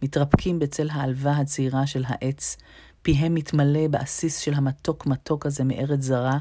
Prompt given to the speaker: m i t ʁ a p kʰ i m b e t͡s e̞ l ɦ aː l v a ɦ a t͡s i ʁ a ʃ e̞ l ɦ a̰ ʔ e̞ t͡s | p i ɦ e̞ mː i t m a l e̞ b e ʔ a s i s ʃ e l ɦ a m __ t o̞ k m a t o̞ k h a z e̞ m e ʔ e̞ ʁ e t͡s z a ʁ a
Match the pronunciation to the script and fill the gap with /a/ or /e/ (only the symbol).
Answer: a